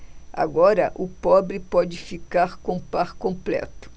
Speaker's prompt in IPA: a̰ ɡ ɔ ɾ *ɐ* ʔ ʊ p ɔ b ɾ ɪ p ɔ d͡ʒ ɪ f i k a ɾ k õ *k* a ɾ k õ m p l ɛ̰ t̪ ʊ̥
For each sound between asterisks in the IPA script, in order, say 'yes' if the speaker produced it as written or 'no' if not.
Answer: yes, no

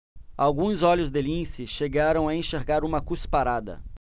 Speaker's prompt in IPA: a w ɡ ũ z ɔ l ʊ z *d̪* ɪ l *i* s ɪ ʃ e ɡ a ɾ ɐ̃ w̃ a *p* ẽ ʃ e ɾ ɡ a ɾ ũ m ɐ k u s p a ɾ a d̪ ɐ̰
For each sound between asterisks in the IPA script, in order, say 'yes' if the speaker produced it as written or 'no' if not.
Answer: yes, no, no

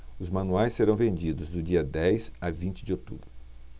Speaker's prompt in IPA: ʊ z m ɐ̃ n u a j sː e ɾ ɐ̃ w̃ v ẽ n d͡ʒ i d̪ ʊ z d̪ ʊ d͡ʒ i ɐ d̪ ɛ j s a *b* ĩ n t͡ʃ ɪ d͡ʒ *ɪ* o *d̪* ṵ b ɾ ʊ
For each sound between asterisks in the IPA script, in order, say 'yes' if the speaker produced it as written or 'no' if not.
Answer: no, yes, no

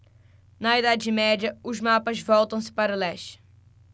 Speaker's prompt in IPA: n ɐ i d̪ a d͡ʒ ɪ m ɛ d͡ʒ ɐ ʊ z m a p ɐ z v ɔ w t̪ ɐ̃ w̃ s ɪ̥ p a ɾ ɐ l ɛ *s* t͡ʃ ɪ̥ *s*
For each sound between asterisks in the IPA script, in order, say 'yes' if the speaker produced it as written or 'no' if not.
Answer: no, no

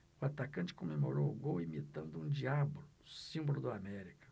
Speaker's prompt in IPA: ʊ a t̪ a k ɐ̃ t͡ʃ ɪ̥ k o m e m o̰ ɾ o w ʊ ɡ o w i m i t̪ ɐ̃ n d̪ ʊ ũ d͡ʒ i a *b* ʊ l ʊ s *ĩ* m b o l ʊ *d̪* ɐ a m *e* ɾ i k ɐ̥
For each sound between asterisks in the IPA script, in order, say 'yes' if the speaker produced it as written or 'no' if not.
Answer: yes, yes, yes, no

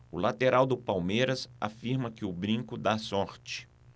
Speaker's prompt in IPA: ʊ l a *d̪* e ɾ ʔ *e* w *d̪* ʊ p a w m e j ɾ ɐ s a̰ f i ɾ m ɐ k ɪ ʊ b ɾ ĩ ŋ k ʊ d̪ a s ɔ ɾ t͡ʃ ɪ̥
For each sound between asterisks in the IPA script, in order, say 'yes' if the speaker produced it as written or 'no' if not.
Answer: no, no, yes

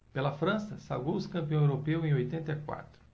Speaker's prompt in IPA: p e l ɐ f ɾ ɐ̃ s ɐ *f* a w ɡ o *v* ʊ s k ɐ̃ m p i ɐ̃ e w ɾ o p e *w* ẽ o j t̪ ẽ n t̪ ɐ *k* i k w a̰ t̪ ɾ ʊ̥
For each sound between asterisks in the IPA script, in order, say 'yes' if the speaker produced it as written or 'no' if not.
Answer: no, no, yes, no

